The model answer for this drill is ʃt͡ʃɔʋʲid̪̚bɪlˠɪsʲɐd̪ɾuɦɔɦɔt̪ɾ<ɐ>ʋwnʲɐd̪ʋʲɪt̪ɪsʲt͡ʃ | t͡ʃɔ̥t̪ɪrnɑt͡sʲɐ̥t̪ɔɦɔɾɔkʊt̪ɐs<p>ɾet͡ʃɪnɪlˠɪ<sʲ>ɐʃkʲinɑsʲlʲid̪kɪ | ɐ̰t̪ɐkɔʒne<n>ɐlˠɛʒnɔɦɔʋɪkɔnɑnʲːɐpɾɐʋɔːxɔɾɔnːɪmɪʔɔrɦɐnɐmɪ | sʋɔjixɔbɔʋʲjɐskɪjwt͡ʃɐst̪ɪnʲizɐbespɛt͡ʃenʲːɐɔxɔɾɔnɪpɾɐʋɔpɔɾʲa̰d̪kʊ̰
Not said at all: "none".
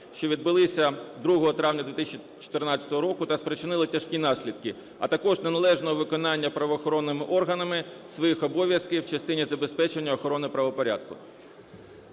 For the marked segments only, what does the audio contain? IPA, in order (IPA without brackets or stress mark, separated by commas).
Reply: ɑ, p, tʲ, n